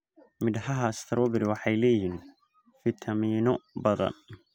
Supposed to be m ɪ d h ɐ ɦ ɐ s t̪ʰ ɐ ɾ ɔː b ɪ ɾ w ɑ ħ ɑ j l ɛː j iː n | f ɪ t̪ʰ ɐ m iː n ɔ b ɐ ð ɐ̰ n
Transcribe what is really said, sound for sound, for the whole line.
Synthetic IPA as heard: m ɪ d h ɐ ɦ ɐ s t̪ʰ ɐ ɾ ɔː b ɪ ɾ w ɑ ħ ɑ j l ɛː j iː n | f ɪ t̪ʰ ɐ m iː n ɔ b ɐ ð ɐ̰ n